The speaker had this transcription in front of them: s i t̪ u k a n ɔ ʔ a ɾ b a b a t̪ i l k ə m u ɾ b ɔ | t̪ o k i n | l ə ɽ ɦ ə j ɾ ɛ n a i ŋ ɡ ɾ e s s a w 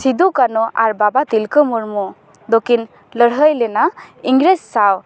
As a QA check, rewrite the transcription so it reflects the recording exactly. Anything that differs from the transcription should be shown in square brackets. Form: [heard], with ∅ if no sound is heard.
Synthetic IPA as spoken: s i [d̪] u k a n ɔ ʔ a ɾ b a b a t̪ i l k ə m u ɾ [m] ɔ | [d̪] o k i n | l ə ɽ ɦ ə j [l] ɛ n a i ŋ ɡ ɾ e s s a w